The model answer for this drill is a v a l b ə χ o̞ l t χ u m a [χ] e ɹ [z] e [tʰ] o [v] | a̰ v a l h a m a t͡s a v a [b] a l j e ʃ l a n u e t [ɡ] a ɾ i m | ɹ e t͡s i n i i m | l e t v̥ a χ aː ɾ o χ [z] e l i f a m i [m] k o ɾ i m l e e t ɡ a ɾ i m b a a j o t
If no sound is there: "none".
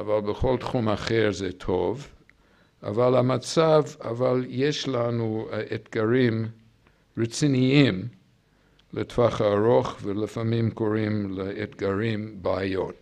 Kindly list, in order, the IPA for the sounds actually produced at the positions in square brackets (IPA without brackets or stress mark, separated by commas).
χ, z, tʰ, v, v, ɡ, v, m